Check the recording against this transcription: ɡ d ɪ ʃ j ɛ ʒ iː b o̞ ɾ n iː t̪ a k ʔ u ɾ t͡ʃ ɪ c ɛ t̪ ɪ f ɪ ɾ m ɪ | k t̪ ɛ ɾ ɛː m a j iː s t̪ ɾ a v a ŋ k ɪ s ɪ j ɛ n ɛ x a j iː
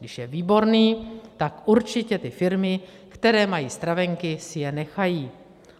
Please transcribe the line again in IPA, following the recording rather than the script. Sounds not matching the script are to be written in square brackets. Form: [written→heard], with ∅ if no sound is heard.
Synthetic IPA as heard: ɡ d ɪ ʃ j ɛ [ʒ→v] iː b o̞ ɾ n iː t̪ a k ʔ u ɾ t͡ʃ ɪ c ɛ t̪ ɪ f ɪ ɾ m ɪ | k t̪ ɛ ɾ ɛː m a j iː s t̪ ɾ a v [a→ɛ] ŋ k ɪ s ɪ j ɛ n ɛ x a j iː